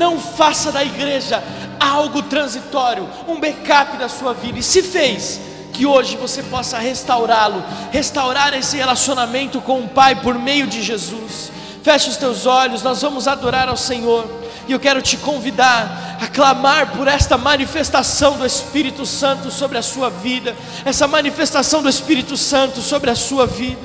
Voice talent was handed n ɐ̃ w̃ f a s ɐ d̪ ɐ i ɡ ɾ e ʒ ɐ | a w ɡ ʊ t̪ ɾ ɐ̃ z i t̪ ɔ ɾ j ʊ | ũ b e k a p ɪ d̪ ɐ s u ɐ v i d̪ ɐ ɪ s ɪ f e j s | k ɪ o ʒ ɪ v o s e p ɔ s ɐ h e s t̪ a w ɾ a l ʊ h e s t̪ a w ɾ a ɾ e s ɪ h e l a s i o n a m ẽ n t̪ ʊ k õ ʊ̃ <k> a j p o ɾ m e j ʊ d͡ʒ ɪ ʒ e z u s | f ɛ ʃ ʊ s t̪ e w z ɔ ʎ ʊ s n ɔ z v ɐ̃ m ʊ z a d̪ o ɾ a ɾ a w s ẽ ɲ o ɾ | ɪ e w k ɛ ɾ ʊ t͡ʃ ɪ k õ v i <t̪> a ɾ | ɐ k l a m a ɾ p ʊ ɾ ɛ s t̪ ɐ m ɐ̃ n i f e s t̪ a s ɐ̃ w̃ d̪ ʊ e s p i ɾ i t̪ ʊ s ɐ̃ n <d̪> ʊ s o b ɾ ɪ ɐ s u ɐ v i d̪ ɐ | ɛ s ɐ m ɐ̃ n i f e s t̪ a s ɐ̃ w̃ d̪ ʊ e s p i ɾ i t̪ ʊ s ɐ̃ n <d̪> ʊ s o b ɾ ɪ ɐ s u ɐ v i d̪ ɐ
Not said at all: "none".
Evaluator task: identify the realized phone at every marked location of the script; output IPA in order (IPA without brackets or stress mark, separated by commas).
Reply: p, d̪, t̪, t̪